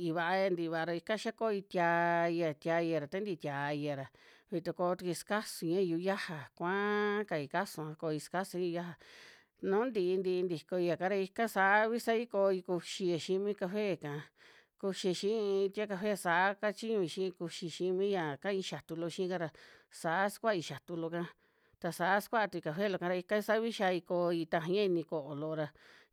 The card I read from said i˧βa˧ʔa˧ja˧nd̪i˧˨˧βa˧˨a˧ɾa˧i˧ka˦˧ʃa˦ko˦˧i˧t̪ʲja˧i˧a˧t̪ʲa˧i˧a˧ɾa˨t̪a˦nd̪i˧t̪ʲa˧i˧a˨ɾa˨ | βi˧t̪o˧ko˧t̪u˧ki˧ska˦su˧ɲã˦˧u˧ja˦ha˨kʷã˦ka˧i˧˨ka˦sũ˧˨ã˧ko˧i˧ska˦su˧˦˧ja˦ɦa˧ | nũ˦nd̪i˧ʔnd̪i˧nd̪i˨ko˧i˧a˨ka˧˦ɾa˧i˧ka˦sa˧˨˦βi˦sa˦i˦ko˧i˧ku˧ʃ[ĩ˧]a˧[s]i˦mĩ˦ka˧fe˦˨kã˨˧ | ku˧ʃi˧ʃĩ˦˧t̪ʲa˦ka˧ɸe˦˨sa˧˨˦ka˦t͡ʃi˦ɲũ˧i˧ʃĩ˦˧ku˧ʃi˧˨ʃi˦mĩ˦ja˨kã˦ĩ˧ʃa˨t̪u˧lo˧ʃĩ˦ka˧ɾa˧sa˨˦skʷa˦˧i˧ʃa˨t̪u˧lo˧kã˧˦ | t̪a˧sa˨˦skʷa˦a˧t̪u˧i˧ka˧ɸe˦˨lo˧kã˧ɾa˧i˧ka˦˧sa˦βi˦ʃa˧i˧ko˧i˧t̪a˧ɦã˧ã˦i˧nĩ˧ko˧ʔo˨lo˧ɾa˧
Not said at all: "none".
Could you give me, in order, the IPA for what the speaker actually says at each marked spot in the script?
i˧, ʃ

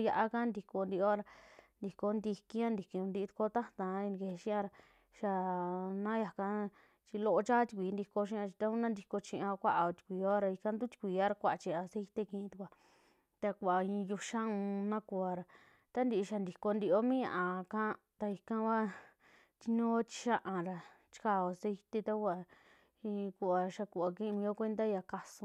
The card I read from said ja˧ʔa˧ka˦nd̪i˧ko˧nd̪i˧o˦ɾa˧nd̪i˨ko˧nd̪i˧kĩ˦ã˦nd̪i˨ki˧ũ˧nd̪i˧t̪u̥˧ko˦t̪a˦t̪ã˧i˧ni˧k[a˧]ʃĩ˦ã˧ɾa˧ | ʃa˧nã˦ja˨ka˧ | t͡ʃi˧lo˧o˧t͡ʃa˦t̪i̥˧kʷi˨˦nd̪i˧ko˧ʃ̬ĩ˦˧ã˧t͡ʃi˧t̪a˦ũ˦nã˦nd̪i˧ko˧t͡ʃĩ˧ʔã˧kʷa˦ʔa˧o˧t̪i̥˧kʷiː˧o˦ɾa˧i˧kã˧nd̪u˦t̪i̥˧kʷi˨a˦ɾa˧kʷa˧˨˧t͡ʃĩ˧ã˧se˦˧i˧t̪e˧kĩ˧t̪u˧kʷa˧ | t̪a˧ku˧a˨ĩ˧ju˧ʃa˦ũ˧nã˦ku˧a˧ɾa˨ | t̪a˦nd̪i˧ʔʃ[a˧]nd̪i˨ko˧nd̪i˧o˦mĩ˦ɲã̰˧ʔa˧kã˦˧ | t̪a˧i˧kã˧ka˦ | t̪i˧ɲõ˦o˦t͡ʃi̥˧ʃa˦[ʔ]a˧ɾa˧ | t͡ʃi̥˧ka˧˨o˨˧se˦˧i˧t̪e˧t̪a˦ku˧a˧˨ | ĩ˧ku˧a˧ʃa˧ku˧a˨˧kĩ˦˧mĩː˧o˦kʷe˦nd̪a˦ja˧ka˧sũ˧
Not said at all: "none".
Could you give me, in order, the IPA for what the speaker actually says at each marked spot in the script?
e˧, a˧, ʔ

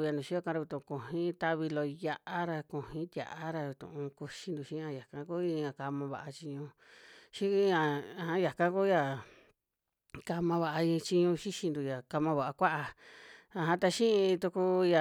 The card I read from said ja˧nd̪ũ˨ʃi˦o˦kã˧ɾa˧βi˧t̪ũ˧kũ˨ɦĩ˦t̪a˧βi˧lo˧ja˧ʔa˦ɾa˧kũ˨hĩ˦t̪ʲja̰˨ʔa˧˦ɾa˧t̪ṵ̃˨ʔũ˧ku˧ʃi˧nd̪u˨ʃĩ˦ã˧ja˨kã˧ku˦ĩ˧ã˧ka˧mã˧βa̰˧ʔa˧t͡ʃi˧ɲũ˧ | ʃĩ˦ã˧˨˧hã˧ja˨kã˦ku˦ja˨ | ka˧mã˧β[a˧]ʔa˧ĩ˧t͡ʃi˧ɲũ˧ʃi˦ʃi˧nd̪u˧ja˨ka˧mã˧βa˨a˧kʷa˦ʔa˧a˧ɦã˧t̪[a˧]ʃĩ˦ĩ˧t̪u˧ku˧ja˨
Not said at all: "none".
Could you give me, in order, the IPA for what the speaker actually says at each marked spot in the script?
a˧, a˧

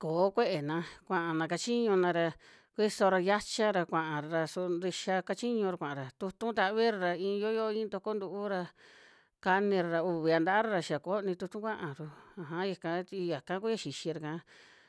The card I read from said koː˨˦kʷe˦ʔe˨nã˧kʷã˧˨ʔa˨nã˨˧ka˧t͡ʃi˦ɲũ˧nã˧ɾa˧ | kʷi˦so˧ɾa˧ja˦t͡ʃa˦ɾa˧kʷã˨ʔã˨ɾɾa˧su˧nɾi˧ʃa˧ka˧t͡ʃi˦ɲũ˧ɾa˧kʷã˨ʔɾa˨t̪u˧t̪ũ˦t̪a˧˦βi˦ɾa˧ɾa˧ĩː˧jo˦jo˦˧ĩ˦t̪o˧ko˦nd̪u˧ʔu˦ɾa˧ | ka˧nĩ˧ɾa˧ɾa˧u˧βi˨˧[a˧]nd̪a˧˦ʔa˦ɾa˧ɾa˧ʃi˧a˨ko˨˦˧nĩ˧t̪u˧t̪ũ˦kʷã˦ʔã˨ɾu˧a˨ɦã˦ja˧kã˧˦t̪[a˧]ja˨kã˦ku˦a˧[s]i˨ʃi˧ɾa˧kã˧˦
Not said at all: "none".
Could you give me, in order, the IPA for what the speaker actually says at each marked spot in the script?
a˧, i˧, ʃ

